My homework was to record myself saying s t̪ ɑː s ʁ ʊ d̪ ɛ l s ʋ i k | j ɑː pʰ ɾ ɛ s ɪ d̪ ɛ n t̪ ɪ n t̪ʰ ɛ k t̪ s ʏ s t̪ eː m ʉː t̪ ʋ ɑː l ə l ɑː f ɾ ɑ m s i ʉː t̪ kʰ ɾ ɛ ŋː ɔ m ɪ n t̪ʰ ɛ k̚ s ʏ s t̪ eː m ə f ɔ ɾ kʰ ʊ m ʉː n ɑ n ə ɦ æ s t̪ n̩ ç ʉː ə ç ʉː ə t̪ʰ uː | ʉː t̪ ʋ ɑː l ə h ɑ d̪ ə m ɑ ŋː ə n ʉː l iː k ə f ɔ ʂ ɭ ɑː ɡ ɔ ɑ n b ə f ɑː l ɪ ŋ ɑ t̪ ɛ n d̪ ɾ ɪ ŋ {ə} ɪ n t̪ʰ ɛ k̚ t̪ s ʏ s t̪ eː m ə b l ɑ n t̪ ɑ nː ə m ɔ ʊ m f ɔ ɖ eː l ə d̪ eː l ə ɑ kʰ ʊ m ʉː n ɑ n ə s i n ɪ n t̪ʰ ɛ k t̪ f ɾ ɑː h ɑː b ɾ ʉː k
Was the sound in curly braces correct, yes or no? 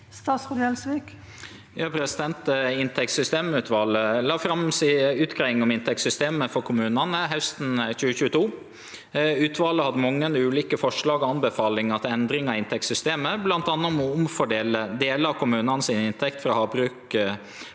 no